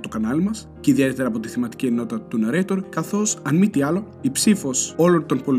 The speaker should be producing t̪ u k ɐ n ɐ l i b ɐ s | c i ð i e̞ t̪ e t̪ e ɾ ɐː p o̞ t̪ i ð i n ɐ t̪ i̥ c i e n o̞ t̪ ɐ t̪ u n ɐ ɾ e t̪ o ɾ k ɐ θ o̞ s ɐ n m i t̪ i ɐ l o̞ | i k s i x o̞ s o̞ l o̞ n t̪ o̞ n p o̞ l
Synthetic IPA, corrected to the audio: t̪ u k ɐ n ɐ l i m ɐ s | c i ð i e̞ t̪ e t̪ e ɾ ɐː p o̞ t̪ i θ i m ɐ t̪ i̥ c i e n o̞ t̪ ɐ t̪ u n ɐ ɾ e t̪ o ɾ k ɐ θ o̞ s ɐ n m i t̪ i ɐ l o̞ | i p s i f o̞ s o̞ l o̞ n t̪ o̞ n p o̞ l